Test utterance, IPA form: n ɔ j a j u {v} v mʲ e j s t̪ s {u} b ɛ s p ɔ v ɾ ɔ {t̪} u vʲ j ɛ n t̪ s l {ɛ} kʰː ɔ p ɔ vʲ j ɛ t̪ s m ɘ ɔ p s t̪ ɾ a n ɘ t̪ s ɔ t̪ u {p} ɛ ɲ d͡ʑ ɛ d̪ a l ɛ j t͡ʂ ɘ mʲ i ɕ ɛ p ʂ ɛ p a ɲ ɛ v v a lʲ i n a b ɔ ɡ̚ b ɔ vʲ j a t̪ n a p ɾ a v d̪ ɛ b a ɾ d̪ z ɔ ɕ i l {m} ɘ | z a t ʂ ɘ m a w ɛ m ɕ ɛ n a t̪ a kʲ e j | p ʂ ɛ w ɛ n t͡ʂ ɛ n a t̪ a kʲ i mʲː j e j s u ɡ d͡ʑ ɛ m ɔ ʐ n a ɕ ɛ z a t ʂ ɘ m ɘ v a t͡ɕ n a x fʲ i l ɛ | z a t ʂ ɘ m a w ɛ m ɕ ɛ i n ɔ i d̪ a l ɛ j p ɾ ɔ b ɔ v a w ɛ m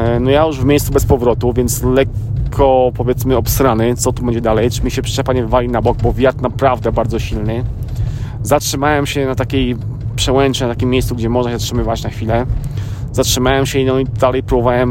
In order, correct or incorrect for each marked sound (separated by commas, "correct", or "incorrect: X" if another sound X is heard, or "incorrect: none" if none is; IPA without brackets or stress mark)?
incorrect: ʐ, correct, correct, correct, incorrect: b, incorrect: n